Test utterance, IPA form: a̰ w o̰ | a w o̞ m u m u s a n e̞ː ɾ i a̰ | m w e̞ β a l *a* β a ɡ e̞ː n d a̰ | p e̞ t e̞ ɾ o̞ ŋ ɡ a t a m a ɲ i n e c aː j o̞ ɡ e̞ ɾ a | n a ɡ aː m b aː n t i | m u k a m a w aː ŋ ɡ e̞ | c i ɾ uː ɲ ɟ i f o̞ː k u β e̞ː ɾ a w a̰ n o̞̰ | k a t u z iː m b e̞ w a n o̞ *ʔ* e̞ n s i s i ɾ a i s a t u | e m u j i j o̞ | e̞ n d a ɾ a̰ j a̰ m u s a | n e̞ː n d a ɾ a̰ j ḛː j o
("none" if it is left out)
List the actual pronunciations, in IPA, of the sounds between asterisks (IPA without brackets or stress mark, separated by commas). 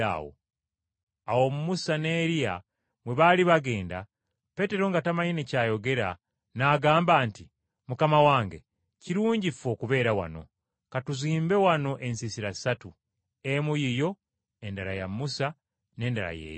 i, ʔ